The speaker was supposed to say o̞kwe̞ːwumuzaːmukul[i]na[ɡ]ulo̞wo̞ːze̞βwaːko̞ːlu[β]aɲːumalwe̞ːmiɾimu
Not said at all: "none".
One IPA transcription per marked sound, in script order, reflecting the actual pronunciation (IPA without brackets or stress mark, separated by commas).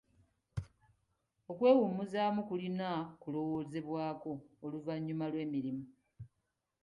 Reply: i, k, v